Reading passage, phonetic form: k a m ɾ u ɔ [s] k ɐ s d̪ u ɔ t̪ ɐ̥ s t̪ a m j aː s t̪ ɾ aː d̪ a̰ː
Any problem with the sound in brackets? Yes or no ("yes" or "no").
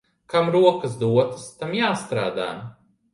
yes